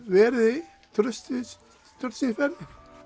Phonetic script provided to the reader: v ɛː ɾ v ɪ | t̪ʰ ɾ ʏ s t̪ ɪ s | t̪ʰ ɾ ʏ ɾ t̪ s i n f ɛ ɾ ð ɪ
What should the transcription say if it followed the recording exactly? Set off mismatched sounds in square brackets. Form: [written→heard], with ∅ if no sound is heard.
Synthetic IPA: v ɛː ɾ [v→ð] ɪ | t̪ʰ ɾ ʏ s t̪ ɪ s | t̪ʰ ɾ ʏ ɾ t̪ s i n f ɛ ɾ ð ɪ